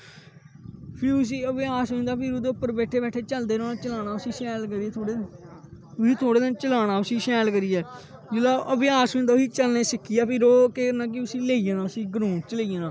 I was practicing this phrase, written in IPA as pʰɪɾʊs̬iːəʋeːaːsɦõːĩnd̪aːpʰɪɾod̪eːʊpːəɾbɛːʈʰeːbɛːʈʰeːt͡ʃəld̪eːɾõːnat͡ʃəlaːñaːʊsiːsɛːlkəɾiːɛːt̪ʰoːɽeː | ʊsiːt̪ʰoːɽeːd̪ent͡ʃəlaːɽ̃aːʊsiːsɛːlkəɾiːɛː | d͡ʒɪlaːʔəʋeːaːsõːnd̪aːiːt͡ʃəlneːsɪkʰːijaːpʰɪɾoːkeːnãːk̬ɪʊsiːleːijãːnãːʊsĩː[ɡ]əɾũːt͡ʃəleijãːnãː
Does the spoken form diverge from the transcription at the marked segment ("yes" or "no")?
no